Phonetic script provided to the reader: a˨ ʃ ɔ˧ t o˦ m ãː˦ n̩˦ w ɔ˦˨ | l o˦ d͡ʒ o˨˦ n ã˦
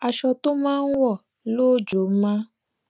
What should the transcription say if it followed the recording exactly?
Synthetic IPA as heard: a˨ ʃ ɔ˧ t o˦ m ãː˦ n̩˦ w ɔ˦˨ | l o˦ d͡ʒ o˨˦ m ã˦